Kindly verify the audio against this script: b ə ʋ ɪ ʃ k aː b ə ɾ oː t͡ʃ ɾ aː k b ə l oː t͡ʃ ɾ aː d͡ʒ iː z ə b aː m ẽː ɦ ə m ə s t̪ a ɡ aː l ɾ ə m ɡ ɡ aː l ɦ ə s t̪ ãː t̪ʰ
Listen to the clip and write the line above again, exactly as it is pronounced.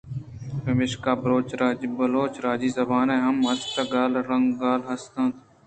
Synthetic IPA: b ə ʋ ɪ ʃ k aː b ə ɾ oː t͡ʃ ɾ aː b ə l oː t͡ʃ ɾ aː d͡ʒ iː z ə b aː n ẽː ɦ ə m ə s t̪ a ɡ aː l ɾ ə ŋ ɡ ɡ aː l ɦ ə s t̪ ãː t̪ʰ